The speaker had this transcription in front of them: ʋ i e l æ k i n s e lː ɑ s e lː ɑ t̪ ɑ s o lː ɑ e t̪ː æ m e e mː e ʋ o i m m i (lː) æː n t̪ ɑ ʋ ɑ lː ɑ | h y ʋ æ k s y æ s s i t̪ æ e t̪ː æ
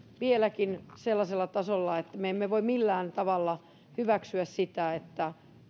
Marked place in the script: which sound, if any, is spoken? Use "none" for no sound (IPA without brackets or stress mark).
lː